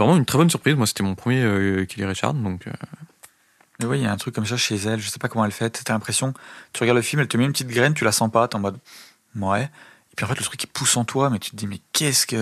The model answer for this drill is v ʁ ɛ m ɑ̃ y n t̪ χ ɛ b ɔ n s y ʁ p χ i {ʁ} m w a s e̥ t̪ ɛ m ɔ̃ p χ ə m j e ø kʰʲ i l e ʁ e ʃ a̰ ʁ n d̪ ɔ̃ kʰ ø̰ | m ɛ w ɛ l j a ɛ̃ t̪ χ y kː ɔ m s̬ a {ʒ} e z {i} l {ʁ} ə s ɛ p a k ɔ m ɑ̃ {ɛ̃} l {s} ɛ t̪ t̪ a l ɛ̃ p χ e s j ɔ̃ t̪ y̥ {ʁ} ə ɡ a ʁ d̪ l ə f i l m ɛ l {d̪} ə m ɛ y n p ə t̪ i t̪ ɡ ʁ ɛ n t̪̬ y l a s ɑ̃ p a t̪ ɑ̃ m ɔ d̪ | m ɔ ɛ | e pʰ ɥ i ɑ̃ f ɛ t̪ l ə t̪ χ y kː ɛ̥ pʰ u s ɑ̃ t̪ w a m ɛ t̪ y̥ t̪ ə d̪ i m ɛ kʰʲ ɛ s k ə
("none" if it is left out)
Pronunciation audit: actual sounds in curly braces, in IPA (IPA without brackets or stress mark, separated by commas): z, ʃ, ɛ, ʒ, ɛ, f, ʁ, t̪